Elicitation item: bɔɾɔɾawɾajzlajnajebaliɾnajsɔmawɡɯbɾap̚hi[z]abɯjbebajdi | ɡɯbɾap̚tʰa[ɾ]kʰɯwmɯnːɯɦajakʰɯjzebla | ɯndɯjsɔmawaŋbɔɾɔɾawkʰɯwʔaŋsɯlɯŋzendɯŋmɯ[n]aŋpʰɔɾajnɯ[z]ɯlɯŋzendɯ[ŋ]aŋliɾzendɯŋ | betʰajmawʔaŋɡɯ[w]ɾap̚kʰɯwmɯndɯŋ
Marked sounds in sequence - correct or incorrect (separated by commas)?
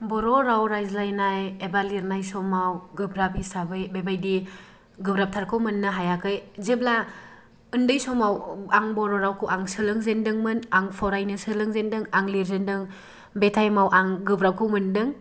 incorrect, correct, correct, incorrect, correct, incorrect